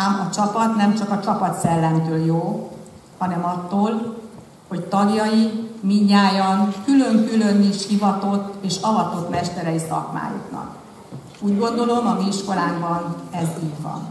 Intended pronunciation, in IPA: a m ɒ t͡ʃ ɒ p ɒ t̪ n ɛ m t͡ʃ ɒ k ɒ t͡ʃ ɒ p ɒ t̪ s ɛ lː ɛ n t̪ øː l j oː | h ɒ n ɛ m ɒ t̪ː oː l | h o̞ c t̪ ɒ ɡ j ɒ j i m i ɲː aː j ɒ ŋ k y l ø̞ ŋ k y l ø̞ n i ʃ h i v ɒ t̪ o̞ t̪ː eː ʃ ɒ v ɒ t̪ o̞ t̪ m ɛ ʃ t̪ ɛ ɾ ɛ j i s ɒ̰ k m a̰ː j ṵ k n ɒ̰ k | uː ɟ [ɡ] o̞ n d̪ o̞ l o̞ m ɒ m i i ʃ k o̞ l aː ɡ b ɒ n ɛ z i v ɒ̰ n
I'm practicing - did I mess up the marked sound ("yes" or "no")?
no